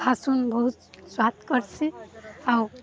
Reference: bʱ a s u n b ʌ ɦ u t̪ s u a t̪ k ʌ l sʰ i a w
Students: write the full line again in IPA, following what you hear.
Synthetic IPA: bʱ a s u n b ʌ ɦ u t̪ s w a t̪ k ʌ ɾ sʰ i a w